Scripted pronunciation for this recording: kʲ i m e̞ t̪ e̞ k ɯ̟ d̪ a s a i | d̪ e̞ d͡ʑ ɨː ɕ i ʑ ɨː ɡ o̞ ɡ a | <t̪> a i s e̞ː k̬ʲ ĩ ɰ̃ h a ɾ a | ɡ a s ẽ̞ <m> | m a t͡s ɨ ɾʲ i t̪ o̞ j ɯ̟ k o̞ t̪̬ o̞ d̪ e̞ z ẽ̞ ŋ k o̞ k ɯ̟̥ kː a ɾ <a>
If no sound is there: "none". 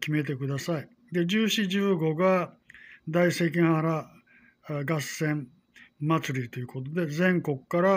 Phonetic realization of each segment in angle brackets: d̪, m, a

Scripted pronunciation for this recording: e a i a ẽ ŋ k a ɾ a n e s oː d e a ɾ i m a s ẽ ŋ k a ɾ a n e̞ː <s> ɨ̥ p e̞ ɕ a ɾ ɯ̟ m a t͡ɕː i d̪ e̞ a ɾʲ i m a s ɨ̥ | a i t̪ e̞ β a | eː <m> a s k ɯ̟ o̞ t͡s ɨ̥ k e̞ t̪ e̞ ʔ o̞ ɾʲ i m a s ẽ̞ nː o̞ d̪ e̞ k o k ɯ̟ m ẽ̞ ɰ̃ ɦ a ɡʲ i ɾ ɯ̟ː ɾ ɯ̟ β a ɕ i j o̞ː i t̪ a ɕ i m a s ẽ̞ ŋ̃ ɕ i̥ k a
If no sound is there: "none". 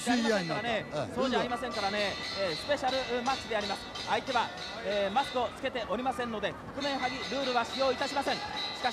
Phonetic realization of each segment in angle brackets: s, m

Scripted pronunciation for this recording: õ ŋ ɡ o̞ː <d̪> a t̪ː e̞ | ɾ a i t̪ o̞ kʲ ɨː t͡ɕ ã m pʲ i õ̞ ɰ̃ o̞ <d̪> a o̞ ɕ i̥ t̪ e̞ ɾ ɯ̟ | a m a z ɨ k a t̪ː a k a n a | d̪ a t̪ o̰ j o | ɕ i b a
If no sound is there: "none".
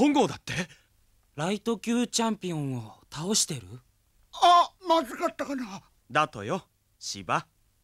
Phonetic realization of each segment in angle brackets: d̪, t̪

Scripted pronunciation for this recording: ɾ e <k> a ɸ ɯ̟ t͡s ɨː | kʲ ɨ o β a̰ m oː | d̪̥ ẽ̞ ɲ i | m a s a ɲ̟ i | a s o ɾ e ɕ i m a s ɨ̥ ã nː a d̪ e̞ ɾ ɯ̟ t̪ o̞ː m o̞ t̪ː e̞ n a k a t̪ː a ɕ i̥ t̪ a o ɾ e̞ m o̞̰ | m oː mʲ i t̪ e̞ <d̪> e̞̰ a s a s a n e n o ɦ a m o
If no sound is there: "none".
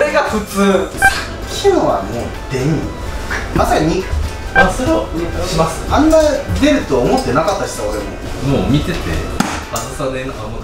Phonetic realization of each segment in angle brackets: ɡ, t̪

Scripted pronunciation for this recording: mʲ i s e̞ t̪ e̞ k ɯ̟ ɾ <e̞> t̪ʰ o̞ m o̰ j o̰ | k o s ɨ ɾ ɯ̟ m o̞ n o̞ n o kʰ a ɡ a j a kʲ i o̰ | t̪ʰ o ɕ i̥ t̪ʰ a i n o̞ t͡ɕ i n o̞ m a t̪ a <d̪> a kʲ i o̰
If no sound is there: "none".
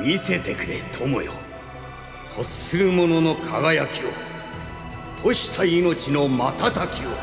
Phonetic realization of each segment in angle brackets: e̞, t̪

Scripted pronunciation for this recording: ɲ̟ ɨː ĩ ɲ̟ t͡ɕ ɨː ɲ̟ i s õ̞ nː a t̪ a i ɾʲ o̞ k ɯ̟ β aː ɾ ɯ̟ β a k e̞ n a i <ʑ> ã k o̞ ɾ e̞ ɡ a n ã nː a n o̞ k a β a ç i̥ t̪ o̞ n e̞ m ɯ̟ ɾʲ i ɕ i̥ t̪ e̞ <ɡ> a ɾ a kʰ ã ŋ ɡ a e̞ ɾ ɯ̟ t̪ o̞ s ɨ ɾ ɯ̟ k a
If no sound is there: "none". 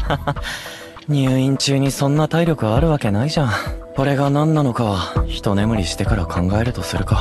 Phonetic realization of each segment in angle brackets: ʑ, k

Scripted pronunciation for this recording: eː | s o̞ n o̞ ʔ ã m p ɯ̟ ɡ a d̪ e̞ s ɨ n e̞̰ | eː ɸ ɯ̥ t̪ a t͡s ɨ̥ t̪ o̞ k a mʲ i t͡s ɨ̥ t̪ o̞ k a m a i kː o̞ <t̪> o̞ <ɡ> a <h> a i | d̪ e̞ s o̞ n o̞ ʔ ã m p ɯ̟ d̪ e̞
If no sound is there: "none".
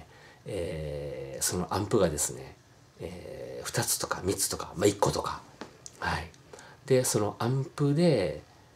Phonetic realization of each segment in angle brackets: t̪, k, h

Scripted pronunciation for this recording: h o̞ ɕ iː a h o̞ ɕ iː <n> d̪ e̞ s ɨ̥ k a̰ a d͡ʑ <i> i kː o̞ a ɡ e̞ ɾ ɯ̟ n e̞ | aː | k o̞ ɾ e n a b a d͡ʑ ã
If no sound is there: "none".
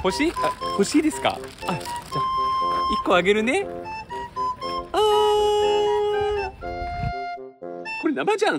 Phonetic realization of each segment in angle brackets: none, a

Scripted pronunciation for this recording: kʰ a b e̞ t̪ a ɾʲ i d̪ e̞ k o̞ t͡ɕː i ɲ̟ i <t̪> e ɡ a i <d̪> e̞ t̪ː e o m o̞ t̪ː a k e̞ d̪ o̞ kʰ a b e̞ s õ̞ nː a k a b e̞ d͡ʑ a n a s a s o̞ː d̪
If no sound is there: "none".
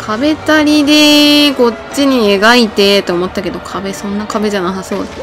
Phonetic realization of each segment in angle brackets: none, t̪

